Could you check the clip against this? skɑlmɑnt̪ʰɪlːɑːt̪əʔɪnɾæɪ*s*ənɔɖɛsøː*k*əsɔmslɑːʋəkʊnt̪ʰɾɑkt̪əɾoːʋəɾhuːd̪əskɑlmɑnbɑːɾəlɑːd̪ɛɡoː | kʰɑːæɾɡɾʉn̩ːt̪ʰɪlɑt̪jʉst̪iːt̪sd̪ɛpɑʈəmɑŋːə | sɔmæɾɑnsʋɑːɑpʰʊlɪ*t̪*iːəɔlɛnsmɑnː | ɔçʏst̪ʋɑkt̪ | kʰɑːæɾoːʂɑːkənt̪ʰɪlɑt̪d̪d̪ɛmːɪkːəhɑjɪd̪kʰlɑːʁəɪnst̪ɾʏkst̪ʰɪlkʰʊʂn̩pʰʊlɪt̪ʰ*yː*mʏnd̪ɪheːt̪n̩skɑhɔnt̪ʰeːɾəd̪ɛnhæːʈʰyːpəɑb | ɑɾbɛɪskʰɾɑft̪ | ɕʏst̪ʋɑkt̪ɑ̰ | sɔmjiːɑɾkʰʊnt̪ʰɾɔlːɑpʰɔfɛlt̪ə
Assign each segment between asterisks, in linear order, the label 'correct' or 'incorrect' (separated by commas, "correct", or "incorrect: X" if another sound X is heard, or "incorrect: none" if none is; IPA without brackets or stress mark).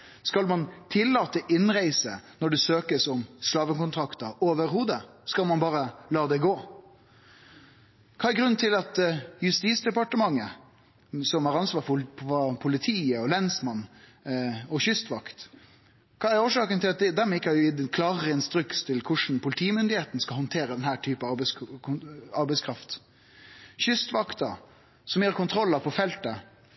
correct, correct, incorrect: t̪ʰ, incorrect: iː